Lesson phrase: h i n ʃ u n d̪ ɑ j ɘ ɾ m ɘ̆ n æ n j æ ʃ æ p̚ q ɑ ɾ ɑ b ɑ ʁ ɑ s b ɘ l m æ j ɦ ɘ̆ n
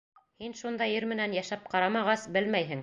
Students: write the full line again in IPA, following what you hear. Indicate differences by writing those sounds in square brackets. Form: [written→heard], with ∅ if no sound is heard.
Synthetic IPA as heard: h i n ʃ u n d̪ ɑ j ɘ ɾ m ɘ̆ n æ n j æ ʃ æ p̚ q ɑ ɾ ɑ [b→m] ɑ ʁ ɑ s b ɘ l m æ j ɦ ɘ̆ [n→ŋ]

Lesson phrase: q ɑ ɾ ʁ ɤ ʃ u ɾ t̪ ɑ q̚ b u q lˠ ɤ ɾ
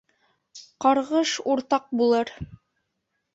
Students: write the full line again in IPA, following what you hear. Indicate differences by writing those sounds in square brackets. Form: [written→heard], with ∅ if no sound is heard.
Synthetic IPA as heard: q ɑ ɾ ʁ ɤ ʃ u ɾ t̪ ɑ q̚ b u [q→∅] lˠ ɤ ɾ

